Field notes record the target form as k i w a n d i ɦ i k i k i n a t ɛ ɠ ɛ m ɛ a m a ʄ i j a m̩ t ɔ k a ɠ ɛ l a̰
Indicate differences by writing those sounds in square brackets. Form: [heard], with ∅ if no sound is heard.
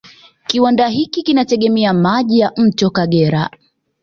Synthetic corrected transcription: k i w a n d [a] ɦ i k i k i n a t ɛ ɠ ɛ m ɛ a m a ʄ i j a m̩ t ɔ k a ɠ ɛ [ɾ] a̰

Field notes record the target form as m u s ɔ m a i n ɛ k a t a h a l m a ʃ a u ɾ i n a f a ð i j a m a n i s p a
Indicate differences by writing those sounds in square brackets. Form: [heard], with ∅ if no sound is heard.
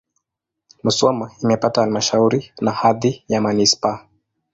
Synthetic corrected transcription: m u s ɔ m a i [m] ɛ [p] a t a h a l m a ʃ a u ɾ i n a [h] a ð i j a m a n i s p a

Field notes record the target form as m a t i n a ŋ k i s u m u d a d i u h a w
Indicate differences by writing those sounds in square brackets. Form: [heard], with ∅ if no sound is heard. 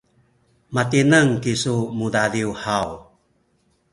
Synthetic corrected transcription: m a t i n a ŋ k i s u m u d a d i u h a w

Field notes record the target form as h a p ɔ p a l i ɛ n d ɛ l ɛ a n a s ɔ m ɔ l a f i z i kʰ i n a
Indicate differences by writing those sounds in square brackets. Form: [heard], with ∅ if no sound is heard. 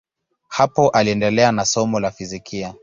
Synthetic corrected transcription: h a p ɔ [ʔ] a l i ɛ n d ɛ l ɛ a n a s ɔ m ɔ l a f i z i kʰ i [∅] a

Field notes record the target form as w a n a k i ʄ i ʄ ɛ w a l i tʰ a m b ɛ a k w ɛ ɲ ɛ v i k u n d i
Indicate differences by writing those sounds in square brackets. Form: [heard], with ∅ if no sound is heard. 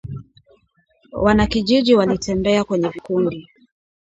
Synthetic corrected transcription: w a n a k i ʄ i ʄ [i] w a l i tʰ [ɛ] m b ɛ a k w ɛ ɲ ɛ v i k u n d i

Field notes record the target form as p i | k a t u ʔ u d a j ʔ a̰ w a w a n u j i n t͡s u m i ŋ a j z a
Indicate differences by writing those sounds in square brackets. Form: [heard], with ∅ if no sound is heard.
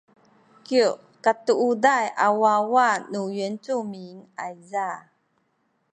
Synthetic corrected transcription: [k] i | k a t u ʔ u d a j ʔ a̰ w a w a n u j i n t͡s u m i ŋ a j z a

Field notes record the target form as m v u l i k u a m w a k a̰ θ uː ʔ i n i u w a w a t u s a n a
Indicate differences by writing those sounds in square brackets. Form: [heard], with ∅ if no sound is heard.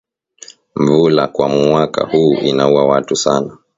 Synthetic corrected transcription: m v u l [a] k [w] a m w a k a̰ [h] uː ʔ i n [a] u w a w a t u s a n a

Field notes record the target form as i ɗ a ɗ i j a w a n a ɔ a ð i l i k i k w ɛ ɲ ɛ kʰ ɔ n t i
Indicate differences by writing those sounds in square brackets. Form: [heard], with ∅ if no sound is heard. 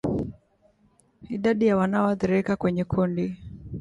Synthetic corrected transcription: i ɗ a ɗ i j a w a n a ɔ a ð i [ɾ] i k [a] k w ɛ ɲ ɛ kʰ [u] n [d] i

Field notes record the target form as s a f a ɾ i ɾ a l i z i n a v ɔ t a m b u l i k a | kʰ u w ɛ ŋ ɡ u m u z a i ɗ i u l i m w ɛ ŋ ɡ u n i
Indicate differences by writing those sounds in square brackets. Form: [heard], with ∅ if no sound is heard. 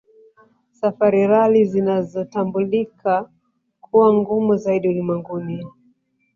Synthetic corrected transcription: s a f a ɾ i ɾ a l i z i n a [z] ɔ t a m b u l i k a | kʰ u w [a] ŋ ɡ u m u z a i ɗ i u l i m w ɛ ŋ ɡ u n i

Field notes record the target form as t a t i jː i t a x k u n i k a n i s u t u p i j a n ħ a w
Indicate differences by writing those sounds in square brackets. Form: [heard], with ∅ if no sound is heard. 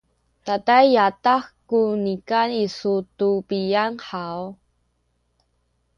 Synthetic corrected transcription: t a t [a] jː [a] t a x k u n i k a n i s u t u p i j a n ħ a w

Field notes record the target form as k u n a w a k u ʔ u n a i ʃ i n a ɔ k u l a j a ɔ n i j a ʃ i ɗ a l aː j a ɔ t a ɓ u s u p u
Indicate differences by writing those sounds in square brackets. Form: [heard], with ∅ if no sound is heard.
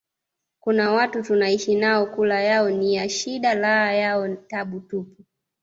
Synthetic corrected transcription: k u n a w a [t] u [t] u n a i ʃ i n a ɔ k u l a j a ɔ n i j a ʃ i ɗ a l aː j a ɔ t a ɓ u [t] u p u

